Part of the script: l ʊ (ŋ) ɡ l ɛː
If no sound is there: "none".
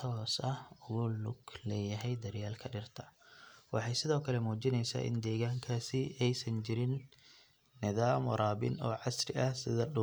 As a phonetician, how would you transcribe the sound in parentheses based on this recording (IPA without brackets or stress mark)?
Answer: none